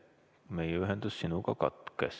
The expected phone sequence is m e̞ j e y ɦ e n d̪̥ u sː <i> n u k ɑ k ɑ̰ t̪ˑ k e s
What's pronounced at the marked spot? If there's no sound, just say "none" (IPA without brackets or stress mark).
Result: i